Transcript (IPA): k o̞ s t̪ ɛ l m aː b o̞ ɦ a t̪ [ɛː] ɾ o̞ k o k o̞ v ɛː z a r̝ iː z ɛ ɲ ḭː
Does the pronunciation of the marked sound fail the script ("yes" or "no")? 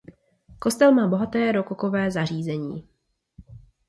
no